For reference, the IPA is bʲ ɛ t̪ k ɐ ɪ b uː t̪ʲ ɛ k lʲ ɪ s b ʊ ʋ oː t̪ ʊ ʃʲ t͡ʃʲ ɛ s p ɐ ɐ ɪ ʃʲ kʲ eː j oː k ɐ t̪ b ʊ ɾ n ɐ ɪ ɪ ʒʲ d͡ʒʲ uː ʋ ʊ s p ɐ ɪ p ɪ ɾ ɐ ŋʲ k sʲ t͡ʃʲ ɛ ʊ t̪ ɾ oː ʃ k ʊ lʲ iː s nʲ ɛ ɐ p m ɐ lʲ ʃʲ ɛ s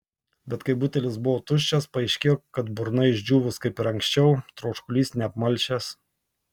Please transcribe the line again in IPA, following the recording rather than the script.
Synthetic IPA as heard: bʲ ɛ t̪ k ɐ ɪ b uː t̪ʲ ɛ lʲ ɪ s b ʊ ʋ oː t̪ ʊ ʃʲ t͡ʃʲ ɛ s p ɐ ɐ ɪ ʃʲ kʲ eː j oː k ɐ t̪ b ʊ ɾ n ɐ ɪ ɪ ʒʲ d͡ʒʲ uː ʋ ʊ s k ɐ ɪ p ɪ ɾ ɐ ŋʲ k sʲ t͡ʃʲ ɛ ʊ t̪ ɾ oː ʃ k ʊ lʲ iː s nʲ ɛ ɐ p m ɐ lʲ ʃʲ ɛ s

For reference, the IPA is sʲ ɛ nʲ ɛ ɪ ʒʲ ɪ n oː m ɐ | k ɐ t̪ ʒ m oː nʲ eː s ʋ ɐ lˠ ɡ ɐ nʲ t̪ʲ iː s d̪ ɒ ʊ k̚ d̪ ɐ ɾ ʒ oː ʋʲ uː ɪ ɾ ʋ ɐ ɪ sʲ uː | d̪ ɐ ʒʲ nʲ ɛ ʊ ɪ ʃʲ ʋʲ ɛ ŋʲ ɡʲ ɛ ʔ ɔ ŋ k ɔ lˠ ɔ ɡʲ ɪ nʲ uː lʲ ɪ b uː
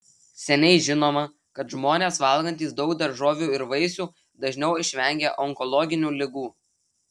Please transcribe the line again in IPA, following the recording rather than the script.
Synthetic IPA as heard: sʲ ɛ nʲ ɛ ɪ ʒʲ ɪ n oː m ɐ | k ɐ t̪ ʒ m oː nʲ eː s ʋ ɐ lˠ ɡ ɐ nʲ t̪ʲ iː s d̪ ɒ ʊ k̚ d̪ ɐ ɾ ʒ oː ʋʲ uː ɪ ɾ ʋ ɐ ɪ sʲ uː | d̪ ɐ ʒʲ nʲ ɛ ʊ ɪ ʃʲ ʋʲ ɛ ŋʲ ɡʲ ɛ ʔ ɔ ŋ k ɔ lˠ ɔ ɡʲ ɪ nʲ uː lʲ ɪ ɡ uː

